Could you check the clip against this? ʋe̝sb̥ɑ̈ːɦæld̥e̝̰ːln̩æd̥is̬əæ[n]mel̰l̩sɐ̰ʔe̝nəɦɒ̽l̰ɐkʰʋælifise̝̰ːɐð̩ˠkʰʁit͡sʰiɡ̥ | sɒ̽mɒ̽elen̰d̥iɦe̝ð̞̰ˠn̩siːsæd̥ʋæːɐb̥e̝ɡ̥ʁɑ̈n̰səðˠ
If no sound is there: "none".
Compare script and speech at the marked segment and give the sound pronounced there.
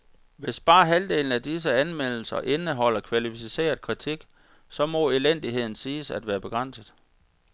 n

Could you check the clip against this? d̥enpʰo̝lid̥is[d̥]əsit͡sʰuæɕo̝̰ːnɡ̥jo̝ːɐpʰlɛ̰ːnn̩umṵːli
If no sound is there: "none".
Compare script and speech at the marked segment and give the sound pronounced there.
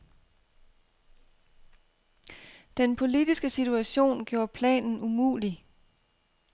ɡ̥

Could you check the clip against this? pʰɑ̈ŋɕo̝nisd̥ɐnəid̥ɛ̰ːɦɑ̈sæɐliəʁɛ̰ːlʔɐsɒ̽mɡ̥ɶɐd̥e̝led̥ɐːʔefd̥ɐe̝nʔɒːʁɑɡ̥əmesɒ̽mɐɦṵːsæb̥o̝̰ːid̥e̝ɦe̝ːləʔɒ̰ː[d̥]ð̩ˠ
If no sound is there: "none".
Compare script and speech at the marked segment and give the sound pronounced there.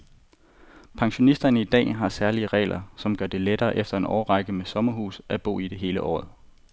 none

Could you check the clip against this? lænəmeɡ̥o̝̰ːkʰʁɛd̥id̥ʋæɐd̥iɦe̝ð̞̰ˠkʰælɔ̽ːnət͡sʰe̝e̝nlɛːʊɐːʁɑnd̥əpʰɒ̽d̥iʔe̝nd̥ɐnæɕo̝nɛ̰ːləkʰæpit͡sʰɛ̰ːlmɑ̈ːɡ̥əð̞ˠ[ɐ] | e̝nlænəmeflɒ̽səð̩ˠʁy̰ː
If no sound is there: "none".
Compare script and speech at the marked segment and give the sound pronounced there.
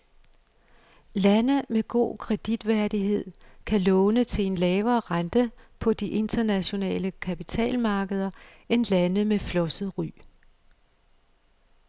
ɐ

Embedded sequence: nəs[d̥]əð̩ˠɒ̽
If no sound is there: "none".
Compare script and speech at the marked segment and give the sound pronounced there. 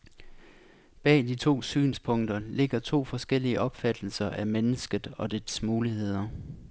ɡ̥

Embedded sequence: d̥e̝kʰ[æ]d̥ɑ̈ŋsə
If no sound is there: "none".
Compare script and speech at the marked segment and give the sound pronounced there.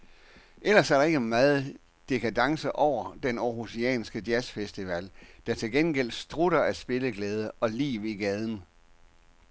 æ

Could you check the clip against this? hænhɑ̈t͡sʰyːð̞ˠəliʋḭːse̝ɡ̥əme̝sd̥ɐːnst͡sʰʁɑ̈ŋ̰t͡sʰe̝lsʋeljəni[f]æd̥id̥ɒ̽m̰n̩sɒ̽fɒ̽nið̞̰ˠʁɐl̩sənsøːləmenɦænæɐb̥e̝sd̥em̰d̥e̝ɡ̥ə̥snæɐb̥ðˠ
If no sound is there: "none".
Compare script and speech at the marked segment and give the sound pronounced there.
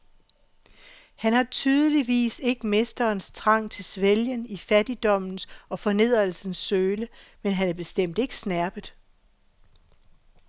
f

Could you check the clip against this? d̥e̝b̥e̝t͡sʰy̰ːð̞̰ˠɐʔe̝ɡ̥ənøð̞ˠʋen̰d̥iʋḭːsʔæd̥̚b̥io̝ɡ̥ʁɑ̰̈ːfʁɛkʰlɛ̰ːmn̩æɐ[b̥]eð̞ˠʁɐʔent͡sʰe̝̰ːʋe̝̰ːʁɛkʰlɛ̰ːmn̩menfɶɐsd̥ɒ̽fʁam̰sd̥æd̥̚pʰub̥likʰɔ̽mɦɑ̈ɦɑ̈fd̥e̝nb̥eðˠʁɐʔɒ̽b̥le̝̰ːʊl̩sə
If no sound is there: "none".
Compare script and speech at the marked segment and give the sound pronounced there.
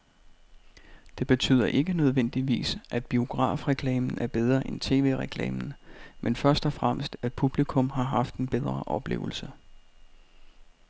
b̥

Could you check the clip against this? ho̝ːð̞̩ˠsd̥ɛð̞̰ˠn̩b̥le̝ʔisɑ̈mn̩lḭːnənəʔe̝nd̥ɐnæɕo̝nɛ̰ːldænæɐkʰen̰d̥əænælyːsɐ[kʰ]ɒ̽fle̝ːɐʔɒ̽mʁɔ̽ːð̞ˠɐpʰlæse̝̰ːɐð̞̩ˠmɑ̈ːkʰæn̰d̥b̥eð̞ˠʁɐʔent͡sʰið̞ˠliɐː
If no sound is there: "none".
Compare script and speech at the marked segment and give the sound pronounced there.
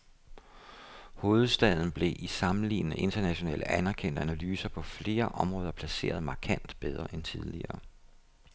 pʰ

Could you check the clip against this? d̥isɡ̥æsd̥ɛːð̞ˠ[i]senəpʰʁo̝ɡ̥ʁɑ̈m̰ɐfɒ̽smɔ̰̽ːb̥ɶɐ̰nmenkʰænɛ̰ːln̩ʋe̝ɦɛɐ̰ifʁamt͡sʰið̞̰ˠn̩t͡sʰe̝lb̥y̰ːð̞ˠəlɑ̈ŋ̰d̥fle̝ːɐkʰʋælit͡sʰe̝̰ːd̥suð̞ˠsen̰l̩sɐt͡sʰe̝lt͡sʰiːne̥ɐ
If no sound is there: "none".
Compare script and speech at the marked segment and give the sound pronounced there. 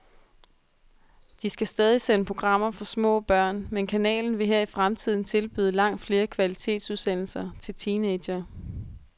i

